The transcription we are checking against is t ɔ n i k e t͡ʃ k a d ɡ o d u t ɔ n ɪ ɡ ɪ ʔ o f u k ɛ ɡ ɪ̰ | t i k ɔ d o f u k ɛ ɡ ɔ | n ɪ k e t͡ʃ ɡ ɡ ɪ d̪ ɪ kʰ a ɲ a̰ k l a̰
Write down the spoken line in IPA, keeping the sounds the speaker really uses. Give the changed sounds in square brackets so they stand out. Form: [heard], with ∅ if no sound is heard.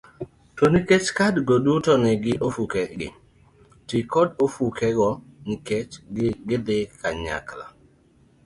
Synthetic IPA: t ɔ n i k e t͡ʃ k a d ɡ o d u t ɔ n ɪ ɡ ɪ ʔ o f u k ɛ ɡ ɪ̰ | t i k ɔ d o f u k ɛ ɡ ɔ | n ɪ k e t͡ʃ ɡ ɡ ɪ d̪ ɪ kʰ a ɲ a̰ k l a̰

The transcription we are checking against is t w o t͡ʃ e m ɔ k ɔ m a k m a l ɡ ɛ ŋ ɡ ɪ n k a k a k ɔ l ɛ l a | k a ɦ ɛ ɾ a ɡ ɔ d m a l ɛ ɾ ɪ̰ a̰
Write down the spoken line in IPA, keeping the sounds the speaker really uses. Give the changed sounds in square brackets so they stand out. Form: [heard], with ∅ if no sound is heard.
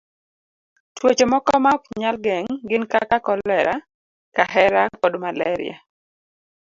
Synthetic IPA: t w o t͡ʃ e m ɔ k ɔ m a k [ɲ] a l ɡ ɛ ŋ ɡ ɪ n k a k a k ɔ l ɛ [ɾ] a | k a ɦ ɛ ɾ a [k] ɔ d m a l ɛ ɾ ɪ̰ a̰

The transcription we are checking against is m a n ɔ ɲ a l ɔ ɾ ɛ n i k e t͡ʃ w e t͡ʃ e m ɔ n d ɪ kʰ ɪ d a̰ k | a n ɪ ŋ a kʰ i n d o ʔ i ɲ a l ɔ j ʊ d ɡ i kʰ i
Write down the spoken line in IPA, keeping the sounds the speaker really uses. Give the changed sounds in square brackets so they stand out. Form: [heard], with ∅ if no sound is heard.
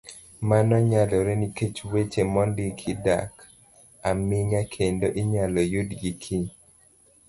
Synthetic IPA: m a n ɔ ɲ a l ɔ ɾ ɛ n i k e t͡ʃ w e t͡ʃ e m ɔ n d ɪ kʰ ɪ d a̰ k | a [m] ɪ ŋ a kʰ [e] n d o ʔ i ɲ a l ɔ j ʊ d ɡ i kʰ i

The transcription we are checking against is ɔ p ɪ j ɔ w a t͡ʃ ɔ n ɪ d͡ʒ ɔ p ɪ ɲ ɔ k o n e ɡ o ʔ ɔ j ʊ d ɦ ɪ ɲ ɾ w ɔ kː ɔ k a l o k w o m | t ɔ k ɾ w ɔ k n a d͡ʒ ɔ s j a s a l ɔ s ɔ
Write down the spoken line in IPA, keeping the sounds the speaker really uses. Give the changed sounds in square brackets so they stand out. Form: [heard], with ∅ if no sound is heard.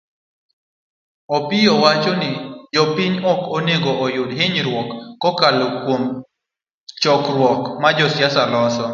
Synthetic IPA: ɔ p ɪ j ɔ w a t͡ʃ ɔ n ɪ d͡ʒ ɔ p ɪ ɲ ɔ k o n e ɡ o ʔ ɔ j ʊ d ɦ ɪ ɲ ɾ w ɔ kː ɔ k a l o k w o m | [t͡ʃ] ɔ k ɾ w ɔ k [m] a d͡ʒ ɔ s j a s a l ɔ s ɔ

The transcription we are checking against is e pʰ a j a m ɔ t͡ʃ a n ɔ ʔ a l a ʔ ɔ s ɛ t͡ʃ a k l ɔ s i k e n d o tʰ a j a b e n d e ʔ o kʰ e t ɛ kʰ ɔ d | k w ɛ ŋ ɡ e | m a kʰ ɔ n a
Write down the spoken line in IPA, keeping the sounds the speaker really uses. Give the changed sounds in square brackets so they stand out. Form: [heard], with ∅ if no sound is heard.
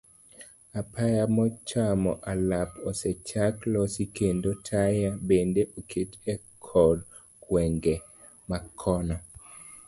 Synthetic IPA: [a] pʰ a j a m ɔ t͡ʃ a [m] ɔ ʔ a l a [p] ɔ s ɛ t͡ʃ a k l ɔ s i k e n d o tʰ a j a b e n d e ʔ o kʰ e t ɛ kʰ ɔ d | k w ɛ ŋ ɡ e | m a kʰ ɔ n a

